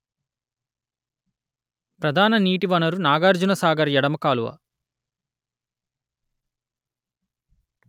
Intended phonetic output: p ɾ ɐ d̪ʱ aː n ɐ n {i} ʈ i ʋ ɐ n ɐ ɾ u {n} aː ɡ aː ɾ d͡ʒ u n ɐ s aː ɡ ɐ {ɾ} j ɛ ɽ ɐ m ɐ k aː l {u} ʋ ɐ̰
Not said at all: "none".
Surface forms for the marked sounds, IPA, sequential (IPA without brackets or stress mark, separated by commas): iː, n, ɾ, u